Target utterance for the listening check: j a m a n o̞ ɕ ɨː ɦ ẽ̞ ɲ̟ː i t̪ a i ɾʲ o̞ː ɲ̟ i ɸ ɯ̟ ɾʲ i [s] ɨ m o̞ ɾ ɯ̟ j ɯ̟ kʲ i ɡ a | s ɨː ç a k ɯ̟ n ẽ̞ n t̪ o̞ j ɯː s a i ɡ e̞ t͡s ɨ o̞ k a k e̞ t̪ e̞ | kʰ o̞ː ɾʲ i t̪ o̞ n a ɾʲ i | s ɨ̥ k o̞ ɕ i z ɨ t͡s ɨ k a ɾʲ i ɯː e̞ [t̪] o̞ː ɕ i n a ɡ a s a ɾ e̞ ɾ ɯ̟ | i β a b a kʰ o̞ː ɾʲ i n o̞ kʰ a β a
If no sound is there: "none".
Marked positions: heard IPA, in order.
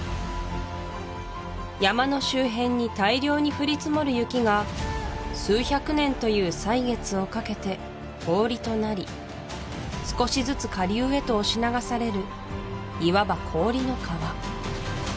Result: t͡s, t̪

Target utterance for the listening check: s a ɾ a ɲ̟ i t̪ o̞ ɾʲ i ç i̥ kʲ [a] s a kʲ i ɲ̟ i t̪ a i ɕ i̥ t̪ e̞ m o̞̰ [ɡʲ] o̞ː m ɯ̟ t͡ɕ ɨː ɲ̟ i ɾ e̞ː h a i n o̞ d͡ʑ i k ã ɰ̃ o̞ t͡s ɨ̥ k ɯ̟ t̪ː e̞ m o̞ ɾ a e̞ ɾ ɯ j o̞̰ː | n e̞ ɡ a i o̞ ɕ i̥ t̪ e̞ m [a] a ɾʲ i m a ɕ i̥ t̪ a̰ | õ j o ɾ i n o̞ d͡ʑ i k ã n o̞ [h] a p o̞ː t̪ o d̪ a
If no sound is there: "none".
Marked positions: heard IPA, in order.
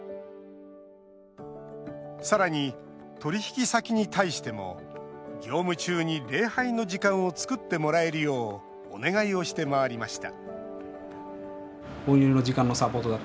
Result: i, ɡʲ, a, s

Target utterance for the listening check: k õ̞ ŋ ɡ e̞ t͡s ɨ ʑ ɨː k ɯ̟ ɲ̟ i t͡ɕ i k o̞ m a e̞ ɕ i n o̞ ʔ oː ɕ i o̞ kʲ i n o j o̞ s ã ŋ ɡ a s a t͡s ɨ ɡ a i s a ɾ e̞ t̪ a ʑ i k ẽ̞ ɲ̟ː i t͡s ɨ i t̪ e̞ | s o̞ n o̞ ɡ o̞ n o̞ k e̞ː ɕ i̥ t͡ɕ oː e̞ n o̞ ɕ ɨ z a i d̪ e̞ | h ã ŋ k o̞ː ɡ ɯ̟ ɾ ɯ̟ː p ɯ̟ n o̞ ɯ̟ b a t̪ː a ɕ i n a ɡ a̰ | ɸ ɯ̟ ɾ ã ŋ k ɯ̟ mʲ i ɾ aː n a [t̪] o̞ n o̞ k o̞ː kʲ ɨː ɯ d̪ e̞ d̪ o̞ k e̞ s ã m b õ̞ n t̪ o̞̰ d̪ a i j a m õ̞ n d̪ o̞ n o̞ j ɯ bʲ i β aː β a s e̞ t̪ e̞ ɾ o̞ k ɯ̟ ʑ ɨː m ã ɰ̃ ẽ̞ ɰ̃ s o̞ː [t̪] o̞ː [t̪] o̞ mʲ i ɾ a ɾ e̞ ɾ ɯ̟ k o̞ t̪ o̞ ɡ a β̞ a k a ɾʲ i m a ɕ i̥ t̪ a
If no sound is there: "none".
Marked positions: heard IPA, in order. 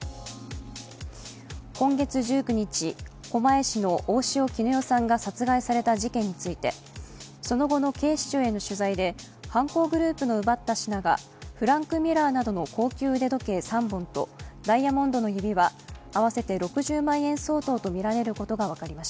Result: d̪, t̪, t̪

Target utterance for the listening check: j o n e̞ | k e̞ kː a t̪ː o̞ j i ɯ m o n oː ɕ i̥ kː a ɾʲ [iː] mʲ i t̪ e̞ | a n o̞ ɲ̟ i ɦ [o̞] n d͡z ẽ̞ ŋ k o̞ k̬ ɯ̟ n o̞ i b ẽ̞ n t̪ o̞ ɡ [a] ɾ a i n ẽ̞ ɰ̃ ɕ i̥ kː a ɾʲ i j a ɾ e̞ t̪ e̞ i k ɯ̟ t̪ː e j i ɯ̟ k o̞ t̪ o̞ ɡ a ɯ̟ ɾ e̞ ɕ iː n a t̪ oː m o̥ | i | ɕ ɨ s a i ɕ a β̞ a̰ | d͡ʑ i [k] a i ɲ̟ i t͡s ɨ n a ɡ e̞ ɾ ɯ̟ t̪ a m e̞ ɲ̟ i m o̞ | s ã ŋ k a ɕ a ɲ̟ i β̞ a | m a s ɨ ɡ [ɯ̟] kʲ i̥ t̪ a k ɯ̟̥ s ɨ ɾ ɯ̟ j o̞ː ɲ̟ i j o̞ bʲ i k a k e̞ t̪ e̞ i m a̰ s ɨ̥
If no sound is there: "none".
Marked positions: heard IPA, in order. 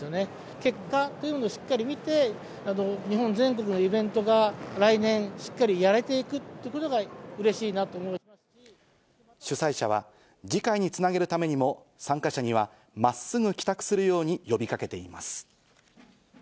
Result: i, õ̞, a, k, ɯ̟

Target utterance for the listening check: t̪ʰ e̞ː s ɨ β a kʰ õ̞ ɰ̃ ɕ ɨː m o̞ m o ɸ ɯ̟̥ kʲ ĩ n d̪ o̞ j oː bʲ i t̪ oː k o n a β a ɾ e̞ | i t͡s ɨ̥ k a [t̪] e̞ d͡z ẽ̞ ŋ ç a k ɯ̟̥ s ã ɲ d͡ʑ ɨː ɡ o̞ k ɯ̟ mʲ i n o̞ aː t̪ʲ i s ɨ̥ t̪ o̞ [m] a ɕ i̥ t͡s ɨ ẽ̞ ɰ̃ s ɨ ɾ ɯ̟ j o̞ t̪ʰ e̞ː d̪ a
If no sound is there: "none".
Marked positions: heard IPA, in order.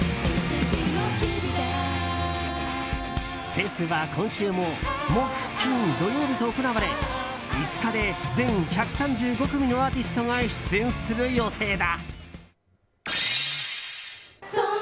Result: d̪, ŋ

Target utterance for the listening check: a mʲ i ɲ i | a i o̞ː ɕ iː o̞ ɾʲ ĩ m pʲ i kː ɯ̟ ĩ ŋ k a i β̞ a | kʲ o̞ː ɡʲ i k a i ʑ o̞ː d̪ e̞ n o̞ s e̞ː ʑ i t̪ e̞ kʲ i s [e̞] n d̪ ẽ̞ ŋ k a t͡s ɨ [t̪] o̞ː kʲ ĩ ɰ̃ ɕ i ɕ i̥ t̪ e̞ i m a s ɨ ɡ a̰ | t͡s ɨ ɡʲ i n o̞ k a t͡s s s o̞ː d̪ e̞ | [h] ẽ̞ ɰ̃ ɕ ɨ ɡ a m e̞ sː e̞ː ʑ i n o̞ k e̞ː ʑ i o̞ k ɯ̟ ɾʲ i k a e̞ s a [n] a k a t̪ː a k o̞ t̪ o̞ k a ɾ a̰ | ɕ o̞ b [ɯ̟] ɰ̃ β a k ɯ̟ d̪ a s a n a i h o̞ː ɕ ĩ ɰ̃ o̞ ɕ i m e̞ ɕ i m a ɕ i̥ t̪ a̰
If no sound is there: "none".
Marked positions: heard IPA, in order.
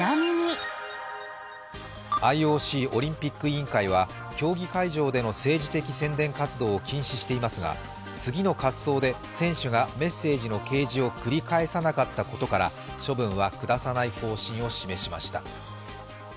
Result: ẽ̞, d̪, s, n, ɯ̟̃

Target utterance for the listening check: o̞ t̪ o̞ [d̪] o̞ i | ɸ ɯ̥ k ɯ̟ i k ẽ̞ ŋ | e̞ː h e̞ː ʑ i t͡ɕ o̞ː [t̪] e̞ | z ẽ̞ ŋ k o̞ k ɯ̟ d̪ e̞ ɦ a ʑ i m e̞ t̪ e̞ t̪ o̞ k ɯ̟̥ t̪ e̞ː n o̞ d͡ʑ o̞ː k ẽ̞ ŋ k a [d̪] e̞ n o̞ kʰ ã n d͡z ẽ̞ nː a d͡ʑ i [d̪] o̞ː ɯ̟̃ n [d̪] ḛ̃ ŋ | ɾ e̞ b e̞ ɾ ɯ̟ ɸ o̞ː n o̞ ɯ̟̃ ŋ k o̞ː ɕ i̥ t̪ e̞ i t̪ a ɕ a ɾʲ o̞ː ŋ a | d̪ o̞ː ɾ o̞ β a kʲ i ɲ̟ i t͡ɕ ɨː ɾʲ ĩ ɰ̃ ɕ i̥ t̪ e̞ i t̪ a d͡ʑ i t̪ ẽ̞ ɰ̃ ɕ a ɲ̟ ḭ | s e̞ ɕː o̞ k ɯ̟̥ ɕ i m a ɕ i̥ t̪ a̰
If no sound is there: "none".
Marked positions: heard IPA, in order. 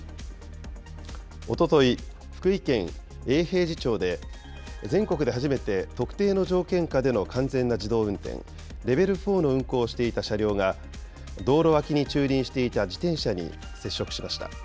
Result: t̪, d̪, d̪, d̪, t̪

